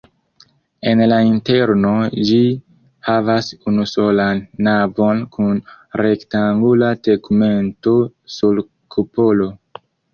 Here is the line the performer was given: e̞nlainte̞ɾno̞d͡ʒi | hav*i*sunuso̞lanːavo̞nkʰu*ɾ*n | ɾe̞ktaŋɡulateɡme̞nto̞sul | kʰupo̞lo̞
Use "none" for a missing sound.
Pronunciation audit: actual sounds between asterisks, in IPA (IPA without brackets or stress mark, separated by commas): a, none